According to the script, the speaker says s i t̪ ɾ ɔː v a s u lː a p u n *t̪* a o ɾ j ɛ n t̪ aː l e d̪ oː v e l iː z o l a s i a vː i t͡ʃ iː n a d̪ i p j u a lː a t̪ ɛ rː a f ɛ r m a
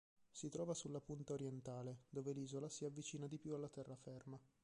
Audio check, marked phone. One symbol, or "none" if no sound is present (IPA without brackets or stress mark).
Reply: t̪